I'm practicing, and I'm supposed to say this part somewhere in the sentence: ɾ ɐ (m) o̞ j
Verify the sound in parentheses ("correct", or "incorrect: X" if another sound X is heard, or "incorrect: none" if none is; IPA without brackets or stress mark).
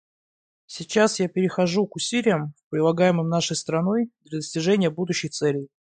incorrect: n